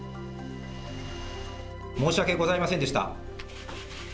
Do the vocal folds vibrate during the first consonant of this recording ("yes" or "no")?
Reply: yes